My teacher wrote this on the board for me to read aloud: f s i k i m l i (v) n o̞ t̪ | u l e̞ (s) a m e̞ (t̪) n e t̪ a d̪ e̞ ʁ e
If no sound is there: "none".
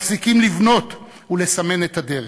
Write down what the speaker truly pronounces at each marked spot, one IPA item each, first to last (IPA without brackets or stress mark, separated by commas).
v, s, none